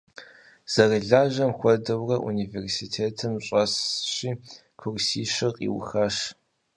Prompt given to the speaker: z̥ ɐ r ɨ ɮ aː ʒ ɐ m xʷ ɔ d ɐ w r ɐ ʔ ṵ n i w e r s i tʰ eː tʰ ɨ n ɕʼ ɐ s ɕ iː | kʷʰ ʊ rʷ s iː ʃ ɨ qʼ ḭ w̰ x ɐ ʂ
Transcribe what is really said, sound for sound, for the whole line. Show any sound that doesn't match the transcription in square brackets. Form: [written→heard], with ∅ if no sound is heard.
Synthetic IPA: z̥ ɐ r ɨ ɮ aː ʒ ɐ m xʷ ɔ d ɐ w r ɐ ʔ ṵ n i [w→v] e r s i tʰ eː tʰ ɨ [n→m] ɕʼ ɐ s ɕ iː | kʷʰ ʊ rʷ s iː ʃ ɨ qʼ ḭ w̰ x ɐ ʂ